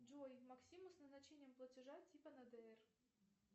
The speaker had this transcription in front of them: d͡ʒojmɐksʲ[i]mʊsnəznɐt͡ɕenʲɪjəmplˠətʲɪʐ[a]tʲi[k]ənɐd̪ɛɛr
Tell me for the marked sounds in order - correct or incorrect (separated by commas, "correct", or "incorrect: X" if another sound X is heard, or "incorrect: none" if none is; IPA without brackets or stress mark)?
correct, correct, incorrect: p